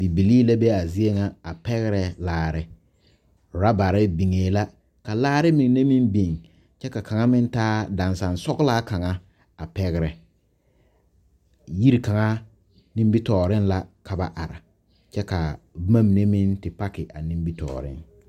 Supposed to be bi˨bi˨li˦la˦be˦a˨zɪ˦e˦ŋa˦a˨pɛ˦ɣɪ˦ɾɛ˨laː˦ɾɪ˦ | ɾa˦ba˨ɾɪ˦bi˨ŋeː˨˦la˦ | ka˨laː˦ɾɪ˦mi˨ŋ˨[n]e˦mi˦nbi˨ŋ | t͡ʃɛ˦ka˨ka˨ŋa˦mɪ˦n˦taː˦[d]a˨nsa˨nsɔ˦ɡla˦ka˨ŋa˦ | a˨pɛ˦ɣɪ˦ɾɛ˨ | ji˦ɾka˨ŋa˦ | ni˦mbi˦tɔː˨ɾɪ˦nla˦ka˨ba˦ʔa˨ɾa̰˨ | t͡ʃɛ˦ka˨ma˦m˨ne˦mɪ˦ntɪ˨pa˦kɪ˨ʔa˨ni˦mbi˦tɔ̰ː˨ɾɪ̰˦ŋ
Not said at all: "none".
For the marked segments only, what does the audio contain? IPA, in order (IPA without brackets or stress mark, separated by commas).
n, d